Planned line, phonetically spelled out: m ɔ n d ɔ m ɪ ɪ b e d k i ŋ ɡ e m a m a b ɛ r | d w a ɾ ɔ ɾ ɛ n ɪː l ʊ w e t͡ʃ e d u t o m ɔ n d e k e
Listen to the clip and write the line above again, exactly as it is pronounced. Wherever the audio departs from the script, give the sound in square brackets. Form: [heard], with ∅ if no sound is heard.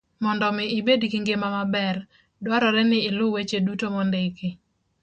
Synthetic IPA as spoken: m ɔ n d ɔ m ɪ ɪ b e d k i ŋ ɡ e m a m a b ɛ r | d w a ɾ ɔ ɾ ɛ n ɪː l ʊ w e t͡ʃ e d u t o m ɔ n d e k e